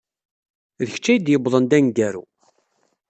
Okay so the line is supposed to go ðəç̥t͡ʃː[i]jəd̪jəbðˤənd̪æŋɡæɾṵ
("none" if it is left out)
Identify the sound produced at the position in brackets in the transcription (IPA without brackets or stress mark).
æ